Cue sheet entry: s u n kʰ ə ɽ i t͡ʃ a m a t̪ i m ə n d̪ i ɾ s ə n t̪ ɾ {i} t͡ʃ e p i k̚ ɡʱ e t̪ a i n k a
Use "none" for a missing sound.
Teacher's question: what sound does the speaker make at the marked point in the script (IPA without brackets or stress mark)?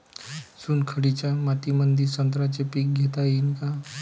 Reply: a